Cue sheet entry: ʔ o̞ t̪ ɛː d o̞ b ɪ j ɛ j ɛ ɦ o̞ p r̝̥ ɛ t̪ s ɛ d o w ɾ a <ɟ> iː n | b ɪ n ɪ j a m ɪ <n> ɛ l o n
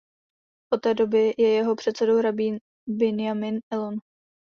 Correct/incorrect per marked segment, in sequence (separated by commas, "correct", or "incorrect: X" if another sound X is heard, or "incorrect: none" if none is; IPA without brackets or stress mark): incorrect: b, correct